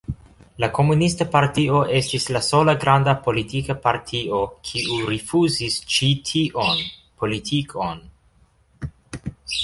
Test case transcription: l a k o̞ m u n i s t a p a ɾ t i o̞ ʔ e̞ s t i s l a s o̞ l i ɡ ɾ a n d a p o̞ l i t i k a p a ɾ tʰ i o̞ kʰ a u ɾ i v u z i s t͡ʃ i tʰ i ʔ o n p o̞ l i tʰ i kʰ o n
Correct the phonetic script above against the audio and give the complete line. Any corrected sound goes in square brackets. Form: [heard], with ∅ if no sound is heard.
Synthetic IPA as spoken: l a k o̞ m u n i s t a p a ɾ t i o̞ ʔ e̞ s t i s l a s o̞ l [a] ɡ ɾ a n d a p o̞ l i t i k a p a ɾ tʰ i o̞ kʰ [i] u ɾ i [f] u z i s t͡ʃ i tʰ i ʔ o n p o̞ l i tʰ i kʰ o n